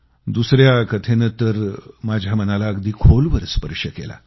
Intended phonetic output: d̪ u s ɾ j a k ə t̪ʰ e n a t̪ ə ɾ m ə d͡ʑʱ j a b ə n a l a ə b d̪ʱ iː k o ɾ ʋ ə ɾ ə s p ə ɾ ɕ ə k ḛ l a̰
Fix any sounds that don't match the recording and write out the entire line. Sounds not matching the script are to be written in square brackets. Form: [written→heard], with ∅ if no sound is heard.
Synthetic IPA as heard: d̪ u s ɾ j a k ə t̪ʰ e n [a→ə] t̪ ə ɾ m [ə→a] d͡ʑʱ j a [b→m] ə n a l a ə [b→ɡ] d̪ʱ iː [k→kʰ] o [ɾ→l] ʋ ə ɾ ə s p ə ɾ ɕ ə k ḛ l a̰